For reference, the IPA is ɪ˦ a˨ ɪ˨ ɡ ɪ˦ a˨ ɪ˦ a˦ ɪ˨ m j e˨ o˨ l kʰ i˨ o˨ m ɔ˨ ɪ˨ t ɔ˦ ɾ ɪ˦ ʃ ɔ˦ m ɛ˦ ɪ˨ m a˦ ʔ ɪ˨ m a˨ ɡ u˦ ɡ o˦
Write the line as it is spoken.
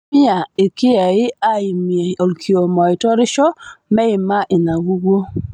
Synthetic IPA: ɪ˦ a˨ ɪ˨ k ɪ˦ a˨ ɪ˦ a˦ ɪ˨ m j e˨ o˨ l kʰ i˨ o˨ m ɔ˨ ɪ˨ t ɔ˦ ɾ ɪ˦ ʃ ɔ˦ m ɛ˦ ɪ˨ m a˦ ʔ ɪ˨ n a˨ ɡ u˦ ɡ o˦